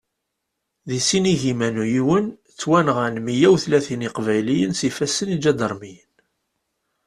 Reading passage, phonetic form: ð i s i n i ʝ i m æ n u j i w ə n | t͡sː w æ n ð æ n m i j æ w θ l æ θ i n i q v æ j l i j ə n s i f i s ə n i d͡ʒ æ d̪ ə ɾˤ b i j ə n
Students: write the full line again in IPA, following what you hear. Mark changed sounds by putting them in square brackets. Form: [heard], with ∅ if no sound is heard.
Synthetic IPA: ð i s i n i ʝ i m æ n u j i w ə n | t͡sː w æ n [ʁ] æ n m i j æ w θ l æ θ i n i q v æ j l i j ə n s i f [æ] s ə n i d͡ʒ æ d̪ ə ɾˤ [m] i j ə n